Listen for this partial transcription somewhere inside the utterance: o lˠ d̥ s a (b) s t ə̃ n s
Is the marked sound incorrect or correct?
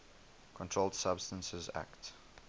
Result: correct